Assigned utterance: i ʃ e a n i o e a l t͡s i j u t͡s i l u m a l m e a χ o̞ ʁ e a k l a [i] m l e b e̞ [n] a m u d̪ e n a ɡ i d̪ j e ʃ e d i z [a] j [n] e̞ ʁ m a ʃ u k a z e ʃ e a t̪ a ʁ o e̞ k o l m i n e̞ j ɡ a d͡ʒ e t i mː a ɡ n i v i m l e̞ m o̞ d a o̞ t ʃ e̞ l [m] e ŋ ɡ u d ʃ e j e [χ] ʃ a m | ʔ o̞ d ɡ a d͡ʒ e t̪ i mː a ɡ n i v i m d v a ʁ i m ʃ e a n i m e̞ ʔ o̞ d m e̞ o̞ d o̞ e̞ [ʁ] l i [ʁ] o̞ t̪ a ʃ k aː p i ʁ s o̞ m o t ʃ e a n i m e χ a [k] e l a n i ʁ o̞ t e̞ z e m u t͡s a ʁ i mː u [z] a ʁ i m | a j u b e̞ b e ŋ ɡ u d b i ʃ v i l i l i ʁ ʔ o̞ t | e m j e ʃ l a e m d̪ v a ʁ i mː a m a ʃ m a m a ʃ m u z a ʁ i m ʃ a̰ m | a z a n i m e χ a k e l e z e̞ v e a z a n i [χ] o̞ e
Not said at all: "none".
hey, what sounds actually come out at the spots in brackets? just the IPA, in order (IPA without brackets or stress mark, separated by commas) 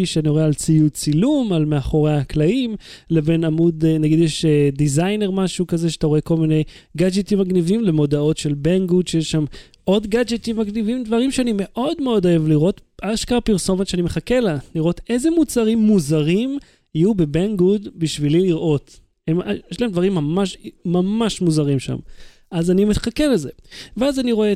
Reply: i, n, a, n, b, ʃ, v, ʁ, k, z, ʁ